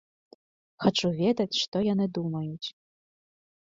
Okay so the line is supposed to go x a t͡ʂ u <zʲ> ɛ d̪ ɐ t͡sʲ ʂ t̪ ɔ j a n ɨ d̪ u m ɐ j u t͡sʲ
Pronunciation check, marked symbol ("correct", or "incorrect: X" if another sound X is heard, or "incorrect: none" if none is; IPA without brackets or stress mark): incorrect: vʲ